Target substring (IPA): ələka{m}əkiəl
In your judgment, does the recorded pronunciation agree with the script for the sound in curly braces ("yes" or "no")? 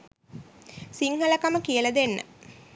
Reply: yes